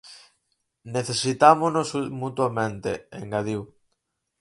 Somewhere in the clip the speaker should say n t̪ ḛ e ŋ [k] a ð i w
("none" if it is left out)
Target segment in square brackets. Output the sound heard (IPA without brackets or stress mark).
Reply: ɡ